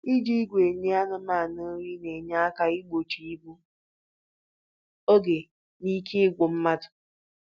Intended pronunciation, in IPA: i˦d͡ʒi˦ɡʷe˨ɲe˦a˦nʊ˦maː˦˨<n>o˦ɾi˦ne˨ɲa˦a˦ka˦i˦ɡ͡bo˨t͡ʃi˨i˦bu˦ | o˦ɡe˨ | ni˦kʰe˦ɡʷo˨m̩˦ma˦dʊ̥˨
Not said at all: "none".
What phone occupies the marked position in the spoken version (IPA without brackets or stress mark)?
n